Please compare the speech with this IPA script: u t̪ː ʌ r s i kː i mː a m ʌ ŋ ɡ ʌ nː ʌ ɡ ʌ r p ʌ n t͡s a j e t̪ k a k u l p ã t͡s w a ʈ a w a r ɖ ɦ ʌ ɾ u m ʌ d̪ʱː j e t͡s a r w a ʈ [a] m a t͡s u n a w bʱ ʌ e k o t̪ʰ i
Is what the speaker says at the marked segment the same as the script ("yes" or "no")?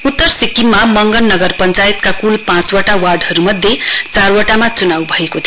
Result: yes